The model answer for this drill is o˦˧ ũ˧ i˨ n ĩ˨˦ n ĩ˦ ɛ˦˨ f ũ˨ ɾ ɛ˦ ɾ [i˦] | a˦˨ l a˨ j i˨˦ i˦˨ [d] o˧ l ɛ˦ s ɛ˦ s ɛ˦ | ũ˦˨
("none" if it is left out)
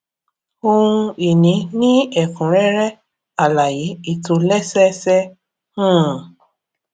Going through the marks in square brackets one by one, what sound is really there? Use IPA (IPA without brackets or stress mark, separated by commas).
ɛ˦, t